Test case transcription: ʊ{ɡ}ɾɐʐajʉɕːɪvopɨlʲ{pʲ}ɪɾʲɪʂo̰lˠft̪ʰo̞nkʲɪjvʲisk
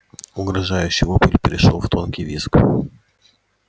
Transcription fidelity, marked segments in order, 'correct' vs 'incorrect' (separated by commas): correct, correct